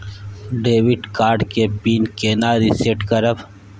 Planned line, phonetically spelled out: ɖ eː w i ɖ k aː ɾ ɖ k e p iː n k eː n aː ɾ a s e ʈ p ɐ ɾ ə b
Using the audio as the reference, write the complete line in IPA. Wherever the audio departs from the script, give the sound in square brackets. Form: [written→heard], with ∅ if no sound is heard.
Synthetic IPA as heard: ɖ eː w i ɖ k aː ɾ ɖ k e p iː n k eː n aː ɾ [a→i] s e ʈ [p→k] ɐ ɾ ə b